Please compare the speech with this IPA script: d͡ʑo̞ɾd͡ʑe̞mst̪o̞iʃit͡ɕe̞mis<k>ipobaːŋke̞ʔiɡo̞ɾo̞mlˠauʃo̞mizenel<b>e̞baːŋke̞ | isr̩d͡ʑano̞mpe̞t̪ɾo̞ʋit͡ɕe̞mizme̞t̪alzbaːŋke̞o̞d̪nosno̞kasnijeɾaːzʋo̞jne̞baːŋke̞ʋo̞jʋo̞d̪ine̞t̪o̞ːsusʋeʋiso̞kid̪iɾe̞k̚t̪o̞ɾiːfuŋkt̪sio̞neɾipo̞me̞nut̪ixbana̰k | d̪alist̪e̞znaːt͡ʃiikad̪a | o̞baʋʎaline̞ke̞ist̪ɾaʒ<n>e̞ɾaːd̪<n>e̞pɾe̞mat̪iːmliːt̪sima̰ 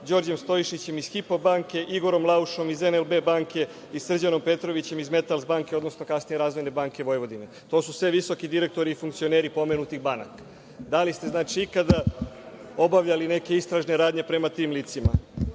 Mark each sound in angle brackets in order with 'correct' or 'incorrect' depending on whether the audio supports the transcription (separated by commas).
incorrect, correct, correct, incorrect